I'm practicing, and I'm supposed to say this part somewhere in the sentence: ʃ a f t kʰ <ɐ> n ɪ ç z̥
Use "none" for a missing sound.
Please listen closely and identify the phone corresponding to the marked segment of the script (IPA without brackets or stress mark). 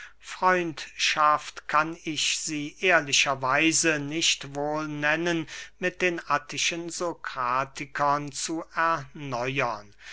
a